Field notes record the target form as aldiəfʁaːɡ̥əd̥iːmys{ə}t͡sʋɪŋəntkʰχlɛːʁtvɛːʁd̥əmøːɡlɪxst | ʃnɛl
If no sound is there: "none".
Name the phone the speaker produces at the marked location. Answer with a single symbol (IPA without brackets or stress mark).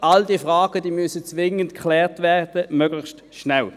ə